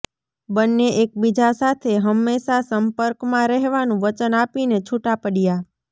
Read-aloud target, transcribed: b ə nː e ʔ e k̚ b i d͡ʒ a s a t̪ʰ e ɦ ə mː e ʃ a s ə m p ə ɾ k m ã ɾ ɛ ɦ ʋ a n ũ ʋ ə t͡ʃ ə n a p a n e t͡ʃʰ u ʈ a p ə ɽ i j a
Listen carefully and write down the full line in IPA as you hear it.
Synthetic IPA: b ə nː e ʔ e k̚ b i d͡ʒ a s a t̪ʰ e ɦ ə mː e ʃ a s ə m p ə ɾ k m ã ɾ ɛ ɦ ʋ a n ũ ʋ ə t͡ʃ ə n a p i n e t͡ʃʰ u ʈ a p ə ɽ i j a